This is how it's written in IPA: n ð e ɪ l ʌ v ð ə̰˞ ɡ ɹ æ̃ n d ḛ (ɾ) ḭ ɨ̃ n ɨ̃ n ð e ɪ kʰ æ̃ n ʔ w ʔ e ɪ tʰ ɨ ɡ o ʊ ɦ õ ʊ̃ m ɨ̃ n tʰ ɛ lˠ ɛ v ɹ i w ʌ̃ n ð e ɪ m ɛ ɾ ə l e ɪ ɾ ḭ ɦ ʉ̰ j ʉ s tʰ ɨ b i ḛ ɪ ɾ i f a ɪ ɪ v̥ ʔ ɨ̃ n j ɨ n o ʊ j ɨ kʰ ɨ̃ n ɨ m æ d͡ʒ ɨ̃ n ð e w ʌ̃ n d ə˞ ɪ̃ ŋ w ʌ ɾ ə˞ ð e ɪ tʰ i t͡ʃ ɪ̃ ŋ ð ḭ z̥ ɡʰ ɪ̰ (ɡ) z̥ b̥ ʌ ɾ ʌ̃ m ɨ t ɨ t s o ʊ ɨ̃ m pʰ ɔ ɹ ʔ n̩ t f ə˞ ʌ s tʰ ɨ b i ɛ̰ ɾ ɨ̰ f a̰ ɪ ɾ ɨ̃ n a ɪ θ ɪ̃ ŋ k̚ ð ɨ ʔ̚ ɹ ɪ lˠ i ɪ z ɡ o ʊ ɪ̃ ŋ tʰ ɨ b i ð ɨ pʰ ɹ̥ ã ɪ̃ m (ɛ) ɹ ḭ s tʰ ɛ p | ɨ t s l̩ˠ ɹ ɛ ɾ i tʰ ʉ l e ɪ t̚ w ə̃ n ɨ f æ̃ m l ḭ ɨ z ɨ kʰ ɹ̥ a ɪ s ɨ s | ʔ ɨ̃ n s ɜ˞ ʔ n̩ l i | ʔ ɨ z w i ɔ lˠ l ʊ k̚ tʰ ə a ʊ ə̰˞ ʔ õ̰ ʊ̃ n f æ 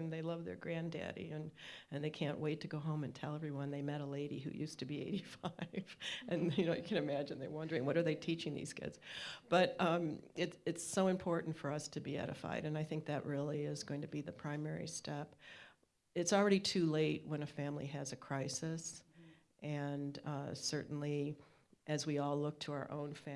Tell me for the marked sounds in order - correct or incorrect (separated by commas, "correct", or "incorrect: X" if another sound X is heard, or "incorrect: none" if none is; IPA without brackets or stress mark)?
correct, incorrect: d, correct